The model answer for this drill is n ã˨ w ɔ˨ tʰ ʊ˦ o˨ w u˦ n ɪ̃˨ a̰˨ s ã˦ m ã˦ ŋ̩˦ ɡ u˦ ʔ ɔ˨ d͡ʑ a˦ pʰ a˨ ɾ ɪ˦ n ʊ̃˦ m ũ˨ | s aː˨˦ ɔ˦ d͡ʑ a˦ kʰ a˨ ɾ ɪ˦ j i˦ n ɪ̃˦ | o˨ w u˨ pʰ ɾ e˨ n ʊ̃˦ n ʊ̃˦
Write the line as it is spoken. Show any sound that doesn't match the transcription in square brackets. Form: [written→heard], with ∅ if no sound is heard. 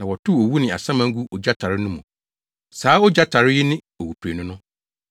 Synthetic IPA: n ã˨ w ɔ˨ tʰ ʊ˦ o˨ w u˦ n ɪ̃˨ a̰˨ s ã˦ m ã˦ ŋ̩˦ ɡ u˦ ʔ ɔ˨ d͡ʑ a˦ [pʰ→tʰ] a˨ ɾ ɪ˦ n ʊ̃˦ m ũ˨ | s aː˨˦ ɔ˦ d͡ʑ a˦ [kʰ→tʰ] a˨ ɾ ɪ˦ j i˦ n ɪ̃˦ | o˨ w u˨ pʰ ɾ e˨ n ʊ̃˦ n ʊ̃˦